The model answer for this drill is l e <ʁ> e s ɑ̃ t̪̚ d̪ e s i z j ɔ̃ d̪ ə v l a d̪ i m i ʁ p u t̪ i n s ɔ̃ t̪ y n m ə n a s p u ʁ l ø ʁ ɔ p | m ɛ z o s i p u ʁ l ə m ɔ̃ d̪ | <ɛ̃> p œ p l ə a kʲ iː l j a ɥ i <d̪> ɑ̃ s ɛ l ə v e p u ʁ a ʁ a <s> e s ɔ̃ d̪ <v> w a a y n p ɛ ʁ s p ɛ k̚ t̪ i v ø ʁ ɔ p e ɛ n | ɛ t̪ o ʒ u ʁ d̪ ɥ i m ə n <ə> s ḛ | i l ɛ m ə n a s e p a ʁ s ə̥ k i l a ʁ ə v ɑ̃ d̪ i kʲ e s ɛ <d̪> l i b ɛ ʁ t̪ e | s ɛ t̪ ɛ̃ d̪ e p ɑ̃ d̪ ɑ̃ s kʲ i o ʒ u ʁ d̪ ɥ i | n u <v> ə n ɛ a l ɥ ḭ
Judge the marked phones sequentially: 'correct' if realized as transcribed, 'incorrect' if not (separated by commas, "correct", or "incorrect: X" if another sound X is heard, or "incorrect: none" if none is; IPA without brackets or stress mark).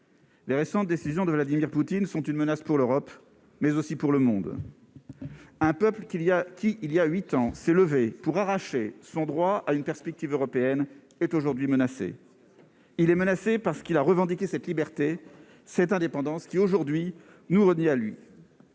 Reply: correct, correct, incorrect: t̪, incorrect: ʃ, incorrect: ʁ, incorrect: a, incorrect: t̪, incorrect: ʁ